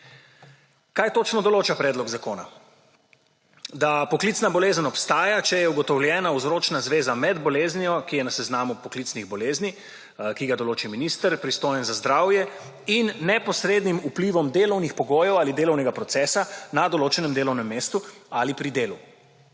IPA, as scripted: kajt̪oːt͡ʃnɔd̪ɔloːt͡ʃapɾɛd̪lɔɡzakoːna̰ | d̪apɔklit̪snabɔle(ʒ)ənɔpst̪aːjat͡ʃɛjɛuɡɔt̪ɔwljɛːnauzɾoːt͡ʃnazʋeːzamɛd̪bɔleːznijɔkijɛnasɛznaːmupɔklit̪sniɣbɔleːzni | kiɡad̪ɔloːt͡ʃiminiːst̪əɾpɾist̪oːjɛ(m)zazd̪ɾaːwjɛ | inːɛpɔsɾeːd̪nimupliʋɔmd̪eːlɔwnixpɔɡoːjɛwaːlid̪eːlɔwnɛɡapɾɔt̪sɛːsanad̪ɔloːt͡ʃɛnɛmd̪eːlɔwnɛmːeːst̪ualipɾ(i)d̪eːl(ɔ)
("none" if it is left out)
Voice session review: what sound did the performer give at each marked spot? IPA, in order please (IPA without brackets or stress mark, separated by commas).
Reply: z, n, i, u